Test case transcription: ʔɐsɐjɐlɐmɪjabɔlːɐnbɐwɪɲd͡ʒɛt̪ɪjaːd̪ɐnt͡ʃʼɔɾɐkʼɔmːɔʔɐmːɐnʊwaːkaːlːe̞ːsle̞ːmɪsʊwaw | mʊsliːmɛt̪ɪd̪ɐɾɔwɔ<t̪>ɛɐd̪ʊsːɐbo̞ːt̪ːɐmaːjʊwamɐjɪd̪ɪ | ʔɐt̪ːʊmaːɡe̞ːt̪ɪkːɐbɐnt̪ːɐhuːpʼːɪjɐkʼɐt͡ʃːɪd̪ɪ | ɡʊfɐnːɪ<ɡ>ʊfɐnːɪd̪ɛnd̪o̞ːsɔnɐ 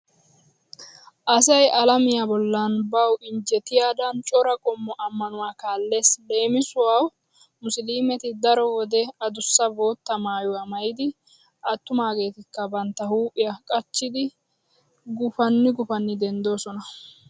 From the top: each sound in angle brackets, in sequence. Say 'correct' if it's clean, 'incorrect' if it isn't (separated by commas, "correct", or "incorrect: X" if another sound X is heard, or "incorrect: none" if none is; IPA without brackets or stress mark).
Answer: incorrect: d̪, correct